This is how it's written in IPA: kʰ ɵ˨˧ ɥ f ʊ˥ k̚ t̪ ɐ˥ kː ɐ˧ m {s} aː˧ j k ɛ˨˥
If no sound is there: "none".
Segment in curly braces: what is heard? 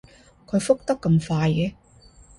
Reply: f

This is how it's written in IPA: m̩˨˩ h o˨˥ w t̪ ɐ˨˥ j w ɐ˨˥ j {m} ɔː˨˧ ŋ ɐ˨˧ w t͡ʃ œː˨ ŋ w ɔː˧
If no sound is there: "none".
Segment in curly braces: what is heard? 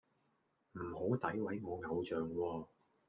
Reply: ŋ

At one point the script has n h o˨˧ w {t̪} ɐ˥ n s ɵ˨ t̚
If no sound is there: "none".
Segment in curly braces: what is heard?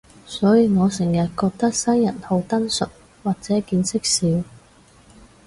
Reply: t̪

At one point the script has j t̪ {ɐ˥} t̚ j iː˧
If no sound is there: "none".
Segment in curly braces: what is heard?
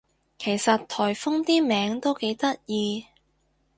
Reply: ɐ˥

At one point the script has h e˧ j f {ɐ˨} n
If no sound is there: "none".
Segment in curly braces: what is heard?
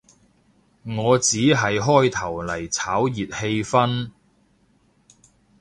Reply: ɐ˥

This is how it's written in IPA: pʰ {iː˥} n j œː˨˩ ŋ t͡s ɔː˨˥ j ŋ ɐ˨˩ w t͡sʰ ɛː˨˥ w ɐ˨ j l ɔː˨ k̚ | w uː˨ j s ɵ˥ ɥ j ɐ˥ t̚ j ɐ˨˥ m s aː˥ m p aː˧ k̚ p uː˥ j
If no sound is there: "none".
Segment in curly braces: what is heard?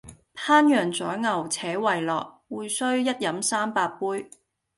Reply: aː˥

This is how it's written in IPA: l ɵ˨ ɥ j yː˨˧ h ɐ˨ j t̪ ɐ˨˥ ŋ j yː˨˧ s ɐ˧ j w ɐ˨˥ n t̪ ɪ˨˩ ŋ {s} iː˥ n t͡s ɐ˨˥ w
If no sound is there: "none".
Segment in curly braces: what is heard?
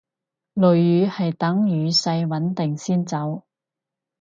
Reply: s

